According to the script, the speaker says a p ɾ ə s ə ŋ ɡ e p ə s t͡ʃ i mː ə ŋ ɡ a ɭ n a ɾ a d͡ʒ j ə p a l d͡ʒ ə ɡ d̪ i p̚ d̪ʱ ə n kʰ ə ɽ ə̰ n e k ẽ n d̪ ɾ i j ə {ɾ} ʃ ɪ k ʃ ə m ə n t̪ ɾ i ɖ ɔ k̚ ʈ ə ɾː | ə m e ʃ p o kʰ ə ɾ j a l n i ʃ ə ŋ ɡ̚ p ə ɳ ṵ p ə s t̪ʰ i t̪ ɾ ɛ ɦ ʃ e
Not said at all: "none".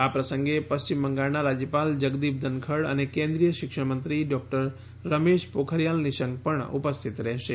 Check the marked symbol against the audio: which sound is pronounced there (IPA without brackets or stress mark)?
none